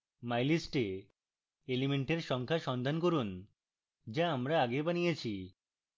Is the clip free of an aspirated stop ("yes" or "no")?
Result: no